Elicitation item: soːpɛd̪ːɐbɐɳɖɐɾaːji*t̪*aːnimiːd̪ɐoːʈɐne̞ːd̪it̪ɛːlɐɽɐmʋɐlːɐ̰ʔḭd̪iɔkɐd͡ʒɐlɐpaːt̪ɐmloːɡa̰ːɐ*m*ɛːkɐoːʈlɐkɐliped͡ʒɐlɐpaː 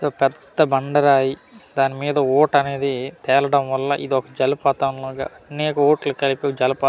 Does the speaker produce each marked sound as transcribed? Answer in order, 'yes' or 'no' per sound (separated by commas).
no, no